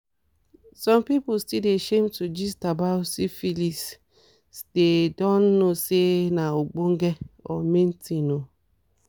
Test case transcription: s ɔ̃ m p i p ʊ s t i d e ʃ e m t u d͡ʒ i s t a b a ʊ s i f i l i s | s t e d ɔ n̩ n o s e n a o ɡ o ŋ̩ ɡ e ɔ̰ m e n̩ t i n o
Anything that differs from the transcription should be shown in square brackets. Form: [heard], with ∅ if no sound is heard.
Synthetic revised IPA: s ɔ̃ m p i p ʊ s t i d e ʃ e m t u d͡ʒ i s t a b a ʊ s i f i l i s | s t e d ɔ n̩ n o s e n a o [ɡ͡b] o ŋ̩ ɡ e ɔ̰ m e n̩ t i n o